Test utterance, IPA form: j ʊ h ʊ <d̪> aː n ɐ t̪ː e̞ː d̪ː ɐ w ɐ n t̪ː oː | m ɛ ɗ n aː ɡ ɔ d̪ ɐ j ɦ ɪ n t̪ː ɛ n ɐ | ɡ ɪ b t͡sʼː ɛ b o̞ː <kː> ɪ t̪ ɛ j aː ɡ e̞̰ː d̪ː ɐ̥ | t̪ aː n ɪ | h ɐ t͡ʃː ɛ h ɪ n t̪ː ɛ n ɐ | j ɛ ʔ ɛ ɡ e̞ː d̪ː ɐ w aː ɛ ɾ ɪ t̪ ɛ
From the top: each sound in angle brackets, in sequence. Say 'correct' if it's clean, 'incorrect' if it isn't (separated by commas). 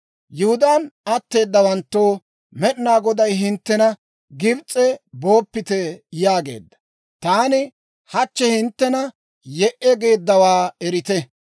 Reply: correct, incorrect